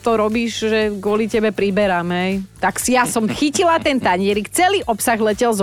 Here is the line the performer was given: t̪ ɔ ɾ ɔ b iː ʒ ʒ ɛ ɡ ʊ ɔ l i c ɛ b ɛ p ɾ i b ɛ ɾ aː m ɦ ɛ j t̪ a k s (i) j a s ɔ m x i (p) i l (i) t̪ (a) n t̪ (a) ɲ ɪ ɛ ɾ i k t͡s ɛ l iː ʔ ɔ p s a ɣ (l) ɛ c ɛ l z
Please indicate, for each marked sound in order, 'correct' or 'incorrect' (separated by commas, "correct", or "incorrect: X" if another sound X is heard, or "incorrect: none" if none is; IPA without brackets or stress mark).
correct, incorrect: c, incorrect: a, incorrect: ɛ, correct, correct